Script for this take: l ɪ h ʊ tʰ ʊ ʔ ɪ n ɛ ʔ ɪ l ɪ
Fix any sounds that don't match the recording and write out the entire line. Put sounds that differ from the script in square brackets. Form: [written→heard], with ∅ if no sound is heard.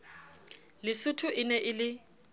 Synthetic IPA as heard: l ɪ [h→s] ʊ tʰ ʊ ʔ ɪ n ɛ ʔ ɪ l ɪ